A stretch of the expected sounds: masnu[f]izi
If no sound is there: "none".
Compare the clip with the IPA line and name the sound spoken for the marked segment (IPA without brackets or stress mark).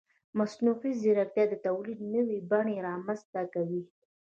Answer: f